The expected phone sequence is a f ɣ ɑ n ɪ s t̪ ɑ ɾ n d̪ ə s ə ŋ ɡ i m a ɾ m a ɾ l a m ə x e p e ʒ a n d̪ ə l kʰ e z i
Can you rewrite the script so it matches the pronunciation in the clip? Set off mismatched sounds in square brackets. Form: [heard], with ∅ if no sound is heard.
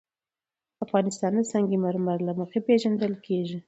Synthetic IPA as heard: a f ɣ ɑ n ɪ s t̪ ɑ [∅] n d̪ ə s [ɑ] ŋ ɡ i m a ɾ m a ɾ l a m ə x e p e ʒ a n d̪ ə l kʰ e [ʒ] i